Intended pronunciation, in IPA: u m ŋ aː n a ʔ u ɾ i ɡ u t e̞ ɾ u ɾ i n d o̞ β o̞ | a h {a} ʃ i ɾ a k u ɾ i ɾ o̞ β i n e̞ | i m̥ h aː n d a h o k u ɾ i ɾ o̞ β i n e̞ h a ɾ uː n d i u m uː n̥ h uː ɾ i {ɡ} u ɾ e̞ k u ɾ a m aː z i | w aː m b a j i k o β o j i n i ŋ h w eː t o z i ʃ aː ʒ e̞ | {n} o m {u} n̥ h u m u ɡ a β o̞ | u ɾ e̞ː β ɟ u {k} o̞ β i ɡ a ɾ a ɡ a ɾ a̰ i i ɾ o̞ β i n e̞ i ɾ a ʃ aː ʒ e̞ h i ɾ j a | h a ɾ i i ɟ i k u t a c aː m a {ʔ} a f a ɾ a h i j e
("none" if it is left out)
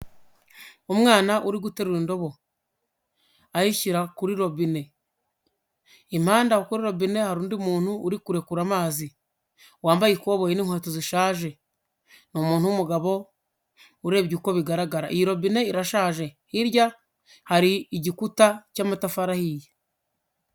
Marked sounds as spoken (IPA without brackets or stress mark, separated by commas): i, k, n, uː, k, t